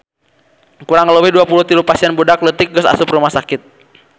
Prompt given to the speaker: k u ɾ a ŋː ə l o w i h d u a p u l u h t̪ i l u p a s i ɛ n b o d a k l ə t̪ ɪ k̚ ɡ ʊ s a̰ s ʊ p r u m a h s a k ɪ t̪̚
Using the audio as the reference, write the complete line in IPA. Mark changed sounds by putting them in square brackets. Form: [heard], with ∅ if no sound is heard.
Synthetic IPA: k u ɾ a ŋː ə l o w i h d u a p u l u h t̪ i l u p a s i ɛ n b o d a k l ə t̪ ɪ k̚ ɡ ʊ s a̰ s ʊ p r u m a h s a k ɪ t̪̚

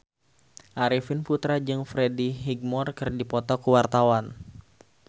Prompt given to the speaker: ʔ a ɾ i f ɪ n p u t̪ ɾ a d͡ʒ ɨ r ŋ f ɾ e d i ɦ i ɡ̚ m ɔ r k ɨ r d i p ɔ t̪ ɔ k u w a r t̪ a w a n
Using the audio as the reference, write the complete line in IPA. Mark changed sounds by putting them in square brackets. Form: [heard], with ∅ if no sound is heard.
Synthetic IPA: ʔ a ɾ i f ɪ n p u t̪ ɾ a d͡ʒ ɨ [∅] ŋ f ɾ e d i ɦ i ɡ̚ m ɔ r k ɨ r d i p ɔ t̪ ɔ k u w a r t̪ a w a n

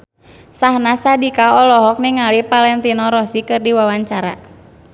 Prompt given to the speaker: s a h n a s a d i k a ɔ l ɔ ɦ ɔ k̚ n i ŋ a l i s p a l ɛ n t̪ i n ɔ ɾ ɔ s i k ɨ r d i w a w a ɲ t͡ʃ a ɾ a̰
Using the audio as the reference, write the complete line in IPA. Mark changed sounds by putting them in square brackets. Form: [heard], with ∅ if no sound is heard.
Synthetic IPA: s a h n a s a d i k a ɔ l ɔ ɦ ɔ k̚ n i ŋ a l i [∅] p a l ɛ n t̪ i n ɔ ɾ ɔ s i k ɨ r d i w a w a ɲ t͡ʃ a ɾ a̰

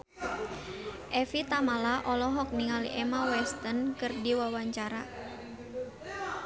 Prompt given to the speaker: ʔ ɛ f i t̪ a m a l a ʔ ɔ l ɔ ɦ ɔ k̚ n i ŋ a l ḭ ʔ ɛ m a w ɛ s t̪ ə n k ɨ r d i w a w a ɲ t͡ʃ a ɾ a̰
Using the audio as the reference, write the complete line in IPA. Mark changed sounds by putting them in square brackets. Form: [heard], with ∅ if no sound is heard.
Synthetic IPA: ʔ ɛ f i t̪ a m a l a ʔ ɔ l ɔ ɦ ɔ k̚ n i ŋ a l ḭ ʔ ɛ m a w ɛ s t̪ ə n k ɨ r d i w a w a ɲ t͡ʃ a ɾ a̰

